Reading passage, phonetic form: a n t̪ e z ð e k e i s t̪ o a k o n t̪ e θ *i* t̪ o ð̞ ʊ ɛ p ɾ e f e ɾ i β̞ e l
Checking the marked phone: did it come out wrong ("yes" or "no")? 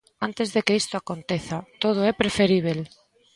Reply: yes